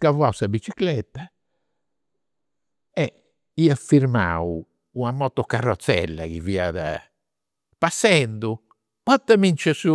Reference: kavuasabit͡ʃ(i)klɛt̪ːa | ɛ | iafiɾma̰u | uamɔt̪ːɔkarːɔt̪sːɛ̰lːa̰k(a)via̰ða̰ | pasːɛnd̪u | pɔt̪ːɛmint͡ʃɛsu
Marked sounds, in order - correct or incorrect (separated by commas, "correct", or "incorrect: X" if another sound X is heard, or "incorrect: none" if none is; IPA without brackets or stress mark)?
correct, incorrect: i